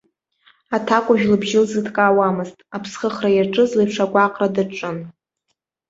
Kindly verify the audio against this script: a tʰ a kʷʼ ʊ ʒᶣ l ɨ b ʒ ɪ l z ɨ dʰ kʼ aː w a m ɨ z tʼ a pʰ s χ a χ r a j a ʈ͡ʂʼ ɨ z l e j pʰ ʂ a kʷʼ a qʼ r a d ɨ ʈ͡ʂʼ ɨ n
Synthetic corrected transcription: a tʰ a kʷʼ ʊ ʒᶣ l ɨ b ʒ ɪ l z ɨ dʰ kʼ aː w a m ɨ z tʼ a pʰ s χ ə χ r a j a ʈ͡ʂʼ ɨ z l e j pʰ ʂ a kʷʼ a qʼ r a d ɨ ʈ͡ʂʼ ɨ n